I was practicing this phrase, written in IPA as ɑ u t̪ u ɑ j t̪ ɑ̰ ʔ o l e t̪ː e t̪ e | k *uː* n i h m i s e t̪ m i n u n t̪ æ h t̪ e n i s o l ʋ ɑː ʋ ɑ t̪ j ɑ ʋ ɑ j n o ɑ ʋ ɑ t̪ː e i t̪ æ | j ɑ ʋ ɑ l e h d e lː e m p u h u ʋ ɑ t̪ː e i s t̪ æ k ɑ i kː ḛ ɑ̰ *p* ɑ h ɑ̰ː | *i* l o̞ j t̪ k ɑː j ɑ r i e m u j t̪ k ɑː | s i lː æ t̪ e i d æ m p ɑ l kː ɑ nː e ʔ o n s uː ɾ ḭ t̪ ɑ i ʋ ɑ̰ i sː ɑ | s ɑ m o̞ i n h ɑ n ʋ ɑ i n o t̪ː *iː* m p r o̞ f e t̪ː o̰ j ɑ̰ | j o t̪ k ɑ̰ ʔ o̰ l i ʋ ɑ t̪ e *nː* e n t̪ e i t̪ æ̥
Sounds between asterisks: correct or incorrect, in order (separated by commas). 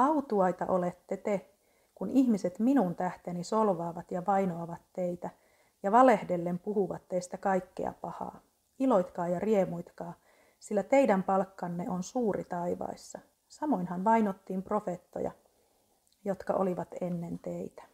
incorrect, correct, correct, correct, correct